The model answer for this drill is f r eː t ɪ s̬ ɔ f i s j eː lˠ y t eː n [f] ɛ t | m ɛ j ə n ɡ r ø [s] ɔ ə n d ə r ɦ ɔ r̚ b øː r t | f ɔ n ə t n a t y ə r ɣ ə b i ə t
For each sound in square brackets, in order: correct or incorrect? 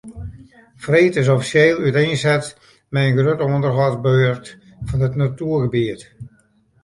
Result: incorrect: s, incorrect: t

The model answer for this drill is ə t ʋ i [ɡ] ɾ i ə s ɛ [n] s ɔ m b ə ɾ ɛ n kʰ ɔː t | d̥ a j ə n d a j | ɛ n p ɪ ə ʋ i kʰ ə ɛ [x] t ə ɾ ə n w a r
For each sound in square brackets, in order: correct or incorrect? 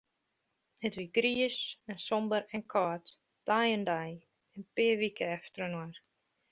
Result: correct, correct, incorrect: f

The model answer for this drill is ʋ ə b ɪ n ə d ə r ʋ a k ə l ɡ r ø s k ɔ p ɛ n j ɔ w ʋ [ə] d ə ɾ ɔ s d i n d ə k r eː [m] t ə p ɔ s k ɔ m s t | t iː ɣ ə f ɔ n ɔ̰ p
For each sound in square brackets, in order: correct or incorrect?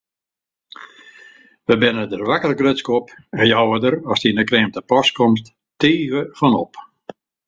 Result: correct, correct

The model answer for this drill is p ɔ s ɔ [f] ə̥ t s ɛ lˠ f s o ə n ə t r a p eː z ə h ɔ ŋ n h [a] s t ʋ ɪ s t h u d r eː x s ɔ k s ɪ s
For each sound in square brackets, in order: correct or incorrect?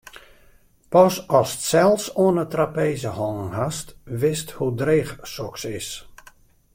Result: incorrect: s, correct

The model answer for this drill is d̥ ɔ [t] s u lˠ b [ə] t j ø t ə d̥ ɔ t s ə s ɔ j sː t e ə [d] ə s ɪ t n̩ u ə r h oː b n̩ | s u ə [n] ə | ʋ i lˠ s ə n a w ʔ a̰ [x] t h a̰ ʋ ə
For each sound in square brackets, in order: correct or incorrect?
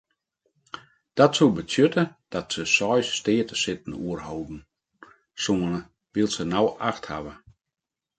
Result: correct, correct, incorrect: t, correct, correct

